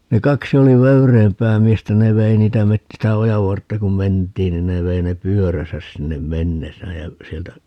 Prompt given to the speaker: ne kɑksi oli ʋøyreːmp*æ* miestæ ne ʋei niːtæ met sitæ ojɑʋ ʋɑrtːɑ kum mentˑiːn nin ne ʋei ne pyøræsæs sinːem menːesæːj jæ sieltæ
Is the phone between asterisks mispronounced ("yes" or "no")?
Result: yes